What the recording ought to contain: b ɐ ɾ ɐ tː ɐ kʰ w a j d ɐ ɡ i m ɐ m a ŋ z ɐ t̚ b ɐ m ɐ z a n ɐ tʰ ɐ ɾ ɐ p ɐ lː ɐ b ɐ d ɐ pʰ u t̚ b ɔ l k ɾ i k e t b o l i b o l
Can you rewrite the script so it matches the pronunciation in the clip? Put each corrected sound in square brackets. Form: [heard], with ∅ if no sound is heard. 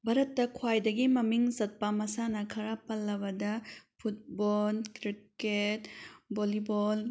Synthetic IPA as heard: b ɐ ɾ ɐ tː ɐ kʰ w a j d ɐ ɡ i m ɐ m [i] ŋ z ɐ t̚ [p] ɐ m ɐ [s] a n ɐ [kʰ] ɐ ɾ [a] p ɐ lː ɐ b ɐ d ɐ pʰ u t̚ b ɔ l k ɾ i k e t b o l i b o l